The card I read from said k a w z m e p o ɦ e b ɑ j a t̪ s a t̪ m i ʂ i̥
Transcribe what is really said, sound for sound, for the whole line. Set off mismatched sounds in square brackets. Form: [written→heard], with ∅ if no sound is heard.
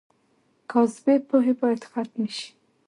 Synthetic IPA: k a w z [m→b] e p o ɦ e b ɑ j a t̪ [s→x] a t̪ m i [ʂ→ʃ] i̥